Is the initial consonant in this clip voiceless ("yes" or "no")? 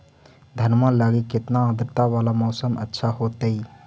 no